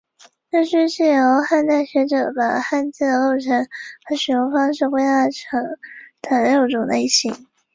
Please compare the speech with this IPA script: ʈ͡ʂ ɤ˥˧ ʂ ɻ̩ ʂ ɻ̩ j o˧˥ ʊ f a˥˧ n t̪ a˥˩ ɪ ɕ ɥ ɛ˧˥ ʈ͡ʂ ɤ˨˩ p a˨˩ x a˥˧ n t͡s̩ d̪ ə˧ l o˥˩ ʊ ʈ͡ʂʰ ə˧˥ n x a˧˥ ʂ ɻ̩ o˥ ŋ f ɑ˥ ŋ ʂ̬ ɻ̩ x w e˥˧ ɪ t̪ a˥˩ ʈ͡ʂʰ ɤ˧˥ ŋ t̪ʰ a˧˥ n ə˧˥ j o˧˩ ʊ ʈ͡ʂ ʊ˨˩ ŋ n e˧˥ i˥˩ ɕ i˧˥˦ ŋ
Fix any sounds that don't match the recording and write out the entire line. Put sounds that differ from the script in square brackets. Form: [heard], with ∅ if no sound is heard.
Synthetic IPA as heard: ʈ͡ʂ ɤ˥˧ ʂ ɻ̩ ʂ ɻ̩ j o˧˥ ʊ [x] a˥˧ n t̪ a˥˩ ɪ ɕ ɥ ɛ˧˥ ʈ͡ʂ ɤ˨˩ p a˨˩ x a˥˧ n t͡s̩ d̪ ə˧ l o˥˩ ʊ ʈ͡ʂʰ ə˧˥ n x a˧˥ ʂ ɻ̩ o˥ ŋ f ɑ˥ ŋ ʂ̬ ɻ̩ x w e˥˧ ɪ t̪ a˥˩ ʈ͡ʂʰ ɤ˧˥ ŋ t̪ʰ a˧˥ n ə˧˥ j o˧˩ ʊ ʈ͡ʂ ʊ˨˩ ŋ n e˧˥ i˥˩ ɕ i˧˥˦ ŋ